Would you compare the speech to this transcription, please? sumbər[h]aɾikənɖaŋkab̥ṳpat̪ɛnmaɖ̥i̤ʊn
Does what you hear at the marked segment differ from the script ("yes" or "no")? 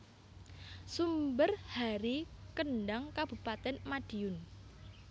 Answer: no